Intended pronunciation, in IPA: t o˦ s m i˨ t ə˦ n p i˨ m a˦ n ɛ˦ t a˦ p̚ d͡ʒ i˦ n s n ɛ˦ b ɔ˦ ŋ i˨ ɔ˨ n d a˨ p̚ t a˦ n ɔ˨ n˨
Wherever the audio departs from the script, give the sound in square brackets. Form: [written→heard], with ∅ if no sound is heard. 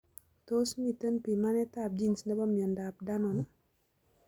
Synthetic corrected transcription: t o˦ s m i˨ t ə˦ n p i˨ m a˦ n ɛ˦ t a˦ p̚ d͡ʒ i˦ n s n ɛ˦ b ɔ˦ [ŋ→m] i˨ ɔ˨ n d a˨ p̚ [t→d] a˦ n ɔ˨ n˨